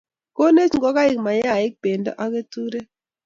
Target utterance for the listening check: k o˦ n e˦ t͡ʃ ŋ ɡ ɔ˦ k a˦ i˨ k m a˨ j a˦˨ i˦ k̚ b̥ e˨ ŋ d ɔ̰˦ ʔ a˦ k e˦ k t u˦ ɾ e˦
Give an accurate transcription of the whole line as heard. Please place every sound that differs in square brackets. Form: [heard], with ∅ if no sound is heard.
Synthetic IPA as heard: k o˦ n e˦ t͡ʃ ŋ ɡ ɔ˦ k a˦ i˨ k m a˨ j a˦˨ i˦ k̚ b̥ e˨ [n] d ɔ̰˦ ʔ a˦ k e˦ [∅] t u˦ ɾ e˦